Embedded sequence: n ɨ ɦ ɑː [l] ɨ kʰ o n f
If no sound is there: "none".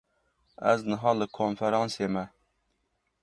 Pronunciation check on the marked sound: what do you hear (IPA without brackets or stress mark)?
l